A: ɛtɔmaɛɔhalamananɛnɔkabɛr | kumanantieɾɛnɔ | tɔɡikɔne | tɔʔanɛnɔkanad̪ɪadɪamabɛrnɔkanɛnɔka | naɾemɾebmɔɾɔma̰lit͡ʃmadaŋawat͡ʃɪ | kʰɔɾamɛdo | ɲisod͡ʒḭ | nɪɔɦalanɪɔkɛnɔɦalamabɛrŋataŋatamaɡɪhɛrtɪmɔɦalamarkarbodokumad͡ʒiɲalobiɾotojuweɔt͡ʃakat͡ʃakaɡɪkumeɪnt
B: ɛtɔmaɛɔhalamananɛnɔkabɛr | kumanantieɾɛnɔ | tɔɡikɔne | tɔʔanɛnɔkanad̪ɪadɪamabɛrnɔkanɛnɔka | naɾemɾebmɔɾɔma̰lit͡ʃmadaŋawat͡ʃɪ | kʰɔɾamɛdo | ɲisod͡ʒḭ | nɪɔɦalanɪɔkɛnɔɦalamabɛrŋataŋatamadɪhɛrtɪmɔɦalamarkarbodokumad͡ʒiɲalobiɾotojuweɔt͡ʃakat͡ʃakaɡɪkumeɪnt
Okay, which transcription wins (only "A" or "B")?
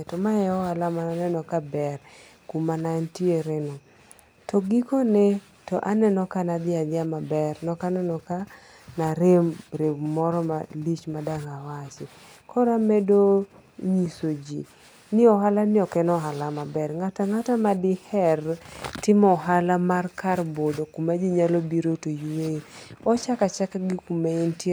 B